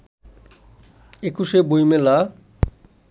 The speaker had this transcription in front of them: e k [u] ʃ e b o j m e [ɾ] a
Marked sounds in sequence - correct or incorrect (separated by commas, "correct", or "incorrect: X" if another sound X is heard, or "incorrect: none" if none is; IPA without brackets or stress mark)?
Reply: correct, incorrect: l